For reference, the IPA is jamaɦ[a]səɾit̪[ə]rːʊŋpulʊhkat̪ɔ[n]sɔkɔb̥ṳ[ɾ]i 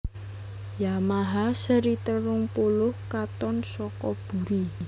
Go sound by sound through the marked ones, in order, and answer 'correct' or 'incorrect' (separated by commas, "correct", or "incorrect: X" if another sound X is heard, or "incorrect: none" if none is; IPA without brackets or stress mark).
correct, correct, correct, correct